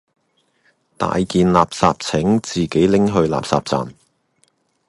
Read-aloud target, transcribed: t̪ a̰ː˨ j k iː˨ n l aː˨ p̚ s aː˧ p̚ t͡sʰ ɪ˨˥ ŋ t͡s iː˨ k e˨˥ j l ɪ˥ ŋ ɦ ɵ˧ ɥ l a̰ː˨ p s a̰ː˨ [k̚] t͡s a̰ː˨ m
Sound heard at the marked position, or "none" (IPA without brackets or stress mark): p̚